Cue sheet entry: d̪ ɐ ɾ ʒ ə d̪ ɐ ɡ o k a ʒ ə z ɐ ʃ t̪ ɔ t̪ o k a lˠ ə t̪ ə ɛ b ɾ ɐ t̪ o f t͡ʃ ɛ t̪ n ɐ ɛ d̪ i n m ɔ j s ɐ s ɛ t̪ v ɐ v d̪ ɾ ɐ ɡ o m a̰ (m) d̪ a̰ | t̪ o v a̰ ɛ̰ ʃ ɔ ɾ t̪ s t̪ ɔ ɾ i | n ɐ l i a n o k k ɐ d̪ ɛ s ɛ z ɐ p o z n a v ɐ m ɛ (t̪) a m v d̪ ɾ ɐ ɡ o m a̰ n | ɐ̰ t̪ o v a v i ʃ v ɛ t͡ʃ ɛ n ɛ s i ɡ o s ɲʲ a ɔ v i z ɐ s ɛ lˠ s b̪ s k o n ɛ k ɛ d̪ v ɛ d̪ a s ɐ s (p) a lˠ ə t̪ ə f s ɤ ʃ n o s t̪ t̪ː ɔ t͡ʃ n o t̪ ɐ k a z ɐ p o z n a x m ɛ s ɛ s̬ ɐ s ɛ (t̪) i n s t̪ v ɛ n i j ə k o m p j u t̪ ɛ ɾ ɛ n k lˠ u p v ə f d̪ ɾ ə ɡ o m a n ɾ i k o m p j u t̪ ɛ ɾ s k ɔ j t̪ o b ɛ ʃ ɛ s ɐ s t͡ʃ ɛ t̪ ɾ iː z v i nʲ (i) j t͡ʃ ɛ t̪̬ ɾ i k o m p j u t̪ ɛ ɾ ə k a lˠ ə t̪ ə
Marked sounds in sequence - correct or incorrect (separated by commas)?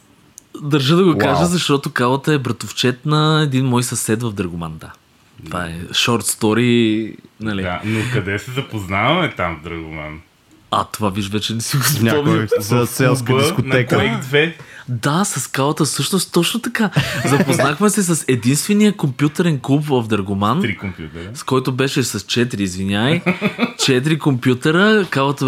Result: incorrect, correct, incorrect, incorrect, incorrect